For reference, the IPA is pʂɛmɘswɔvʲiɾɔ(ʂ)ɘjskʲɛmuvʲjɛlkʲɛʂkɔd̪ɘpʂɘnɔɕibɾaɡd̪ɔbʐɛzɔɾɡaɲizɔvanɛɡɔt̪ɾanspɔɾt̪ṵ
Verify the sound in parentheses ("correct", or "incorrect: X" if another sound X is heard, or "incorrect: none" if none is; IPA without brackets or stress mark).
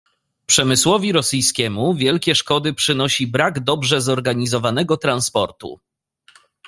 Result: incorrect: s